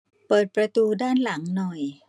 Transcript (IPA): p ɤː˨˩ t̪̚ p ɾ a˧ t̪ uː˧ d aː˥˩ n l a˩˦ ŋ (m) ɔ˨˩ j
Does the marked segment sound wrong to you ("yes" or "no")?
yes